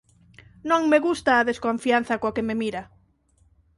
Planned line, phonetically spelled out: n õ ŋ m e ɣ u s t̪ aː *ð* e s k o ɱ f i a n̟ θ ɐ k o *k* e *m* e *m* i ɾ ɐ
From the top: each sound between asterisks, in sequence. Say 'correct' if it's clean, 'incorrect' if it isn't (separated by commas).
correct, correct, correct, correct